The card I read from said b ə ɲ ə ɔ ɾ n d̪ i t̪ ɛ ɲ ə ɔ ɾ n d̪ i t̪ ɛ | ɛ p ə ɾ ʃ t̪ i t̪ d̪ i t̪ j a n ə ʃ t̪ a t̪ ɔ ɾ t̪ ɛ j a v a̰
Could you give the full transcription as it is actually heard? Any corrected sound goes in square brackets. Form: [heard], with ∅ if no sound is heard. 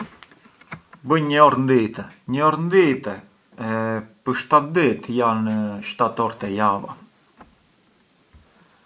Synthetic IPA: b ə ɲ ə ɔ ɾ n d̪ i t̪ ɛ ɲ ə ɔ ɾ n d̪ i t̪ ɛ | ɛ p ə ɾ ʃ t̪ [a] t̪ d̪ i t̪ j a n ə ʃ t̪ a t̪ ɔ ɾ t̪ ɛ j a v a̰